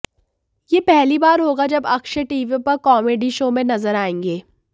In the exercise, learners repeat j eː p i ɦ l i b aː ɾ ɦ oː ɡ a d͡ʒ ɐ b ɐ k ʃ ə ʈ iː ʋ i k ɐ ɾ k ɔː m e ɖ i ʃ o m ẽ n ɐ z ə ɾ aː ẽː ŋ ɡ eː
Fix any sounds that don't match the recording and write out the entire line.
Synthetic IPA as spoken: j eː p ɛ ɦ l i b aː ɾ ɦ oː ɡ a d͡ʒ ɐ b ɐ k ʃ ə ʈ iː ʋ i p ɐ ɾ k ɔː m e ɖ i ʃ o m ẽ n ɐ z ə ɾ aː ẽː ŋ ɡ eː